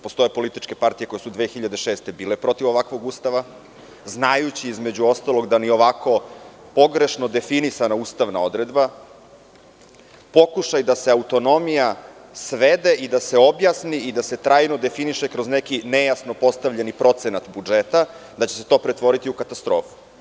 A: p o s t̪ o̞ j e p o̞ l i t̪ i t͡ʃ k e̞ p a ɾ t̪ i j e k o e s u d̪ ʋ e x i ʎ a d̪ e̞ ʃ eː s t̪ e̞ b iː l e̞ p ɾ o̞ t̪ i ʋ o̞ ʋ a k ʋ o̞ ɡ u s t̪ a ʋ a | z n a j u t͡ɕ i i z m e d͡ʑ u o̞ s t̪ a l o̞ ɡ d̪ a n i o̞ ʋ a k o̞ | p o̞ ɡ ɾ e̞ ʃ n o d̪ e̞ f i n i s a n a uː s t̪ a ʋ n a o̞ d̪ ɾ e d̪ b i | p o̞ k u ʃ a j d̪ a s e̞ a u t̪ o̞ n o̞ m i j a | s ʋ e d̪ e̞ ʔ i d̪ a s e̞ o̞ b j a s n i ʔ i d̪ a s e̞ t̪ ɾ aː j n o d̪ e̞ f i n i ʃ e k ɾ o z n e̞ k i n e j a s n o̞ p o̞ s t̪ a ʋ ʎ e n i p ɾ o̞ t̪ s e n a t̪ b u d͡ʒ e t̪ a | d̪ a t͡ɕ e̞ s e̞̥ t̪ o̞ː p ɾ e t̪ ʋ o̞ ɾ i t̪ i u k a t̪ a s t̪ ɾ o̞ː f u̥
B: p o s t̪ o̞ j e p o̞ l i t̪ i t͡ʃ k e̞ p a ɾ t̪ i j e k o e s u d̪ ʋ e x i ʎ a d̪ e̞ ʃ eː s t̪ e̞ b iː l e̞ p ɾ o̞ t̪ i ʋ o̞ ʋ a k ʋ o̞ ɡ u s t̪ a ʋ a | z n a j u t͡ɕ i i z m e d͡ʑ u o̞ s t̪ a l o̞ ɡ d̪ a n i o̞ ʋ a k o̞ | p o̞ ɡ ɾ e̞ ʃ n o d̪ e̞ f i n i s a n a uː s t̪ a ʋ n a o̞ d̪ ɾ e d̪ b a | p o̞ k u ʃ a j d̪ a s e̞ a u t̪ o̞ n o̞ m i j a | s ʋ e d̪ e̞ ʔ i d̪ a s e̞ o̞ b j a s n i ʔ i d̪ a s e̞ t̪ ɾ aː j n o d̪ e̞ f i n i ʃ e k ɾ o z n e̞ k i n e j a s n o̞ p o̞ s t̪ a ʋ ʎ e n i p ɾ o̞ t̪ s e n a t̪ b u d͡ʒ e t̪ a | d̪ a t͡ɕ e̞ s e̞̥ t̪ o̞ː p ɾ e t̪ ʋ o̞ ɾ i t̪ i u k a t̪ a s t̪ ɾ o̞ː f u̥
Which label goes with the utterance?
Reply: B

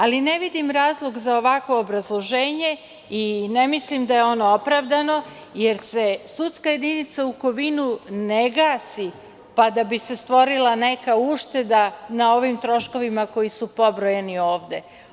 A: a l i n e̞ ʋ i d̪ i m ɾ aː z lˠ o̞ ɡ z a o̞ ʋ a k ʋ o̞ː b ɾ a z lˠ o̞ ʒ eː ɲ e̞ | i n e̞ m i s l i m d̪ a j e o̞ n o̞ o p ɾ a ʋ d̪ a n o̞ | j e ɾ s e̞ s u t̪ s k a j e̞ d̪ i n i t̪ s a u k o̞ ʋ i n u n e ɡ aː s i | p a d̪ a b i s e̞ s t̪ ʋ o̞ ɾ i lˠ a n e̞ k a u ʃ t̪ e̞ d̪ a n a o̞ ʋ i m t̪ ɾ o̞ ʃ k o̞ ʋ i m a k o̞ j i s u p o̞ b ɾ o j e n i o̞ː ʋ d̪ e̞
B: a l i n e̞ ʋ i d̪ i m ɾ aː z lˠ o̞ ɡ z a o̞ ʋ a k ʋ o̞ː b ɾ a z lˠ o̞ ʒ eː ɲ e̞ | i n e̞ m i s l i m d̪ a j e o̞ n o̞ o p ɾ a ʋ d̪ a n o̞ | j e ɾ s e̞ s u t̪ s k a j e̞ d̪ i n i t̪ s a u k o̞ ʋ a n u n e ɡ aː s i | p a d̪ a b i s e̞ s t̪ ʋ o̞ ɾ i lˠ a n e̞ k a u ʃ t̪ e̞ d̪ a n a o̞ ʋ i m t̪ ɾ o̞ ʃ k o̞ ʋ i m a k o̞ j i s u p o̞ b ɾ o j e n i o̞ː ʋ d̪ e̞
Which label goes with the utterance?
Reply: A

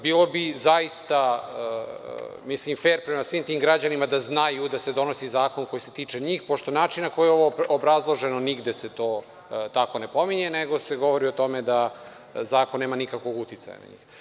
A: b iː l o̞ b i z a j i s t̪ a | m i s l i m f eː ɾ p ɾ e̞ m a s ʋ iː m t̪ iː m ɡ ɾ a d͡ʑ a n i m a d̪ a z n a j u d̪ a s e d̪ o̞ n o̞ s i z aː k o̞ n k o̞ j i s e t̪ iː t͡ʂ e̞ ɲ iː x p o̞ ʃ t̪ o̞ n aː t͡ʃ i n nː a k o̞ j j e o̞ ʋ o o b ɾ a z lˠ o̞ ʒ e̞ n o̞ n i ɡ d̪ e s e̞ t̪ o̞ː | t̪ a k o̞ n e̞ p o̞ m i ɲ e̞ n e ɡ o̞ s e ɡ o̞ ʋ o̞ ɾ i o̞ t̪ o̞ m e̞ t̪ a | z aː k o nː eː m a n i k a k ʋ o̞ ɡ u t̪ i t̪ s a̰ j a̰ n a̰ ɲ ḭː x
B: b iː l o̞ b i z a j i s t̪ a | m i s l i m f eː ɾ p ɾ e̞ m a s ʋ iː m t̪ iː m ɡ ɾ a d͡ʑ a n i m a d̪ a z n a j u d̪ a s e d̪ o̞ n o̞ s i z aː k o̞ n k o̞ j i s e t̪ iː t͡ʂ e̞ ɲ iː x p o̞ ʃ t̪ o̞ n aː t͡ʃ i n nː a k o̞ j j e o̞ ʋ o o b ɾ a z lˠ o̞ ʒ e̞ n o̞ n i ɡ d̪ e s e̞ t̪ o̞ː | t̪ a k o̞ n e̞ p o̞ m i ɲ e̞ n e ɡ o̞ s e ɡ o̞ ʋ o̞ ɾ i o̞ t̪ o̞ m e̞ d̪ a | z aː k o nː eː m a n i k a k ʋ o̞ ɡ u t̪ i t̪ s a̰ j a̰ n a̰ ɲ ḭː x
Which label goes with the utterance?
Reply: B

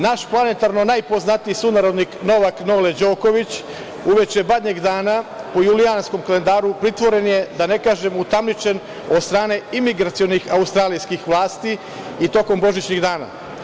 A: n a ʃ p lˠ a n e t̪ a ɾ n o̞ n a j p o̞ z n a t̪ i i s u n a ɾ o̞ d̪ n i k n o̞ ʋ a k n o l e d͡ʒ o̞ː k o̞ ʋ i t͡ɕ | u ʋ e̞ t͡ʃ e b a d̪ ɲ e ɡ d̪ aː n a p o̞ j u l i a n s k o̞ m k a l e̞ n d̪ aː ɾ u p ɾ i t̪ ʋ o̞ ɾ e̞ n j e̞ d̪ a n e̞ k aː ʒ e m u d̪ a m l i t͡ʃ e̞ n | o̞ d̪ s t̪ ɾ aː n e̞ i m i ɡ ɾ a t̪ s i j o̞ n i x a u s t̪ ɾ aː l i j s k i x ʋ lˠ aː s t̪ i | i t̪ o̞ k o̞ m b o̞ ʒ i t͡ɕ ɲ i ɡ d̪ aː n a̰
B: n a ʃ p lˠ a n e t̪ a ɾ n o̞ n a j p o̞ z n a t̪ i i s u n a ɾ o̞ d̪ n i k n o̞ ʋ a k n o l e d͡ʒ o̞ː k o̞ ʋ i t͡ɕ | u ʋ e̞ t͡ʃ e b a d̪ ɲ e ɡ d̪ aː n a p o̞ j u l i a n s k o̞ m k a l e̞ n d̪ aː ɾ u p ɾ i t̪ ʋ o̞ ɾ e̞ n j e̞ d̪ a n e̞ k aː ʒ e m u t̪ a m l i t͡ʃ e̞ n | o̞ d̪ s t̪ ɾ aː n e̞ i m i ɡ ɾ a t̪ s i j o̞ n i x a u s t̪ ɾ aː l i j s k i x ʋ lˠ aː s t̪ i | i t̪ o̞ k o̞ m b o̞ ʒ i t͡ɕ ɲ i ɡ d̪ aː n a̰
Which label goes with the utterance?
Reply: B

